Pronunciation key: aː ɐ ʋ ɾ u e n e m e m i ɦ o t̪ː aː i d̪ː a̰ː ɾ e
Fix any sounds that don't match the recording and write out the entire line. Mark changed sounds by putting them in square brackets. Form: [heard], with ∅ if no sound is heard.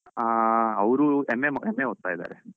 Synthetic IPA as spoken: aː ɐ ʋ ɾ u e [m] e m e m [e] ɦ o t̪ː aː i [d̪] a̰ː ɾ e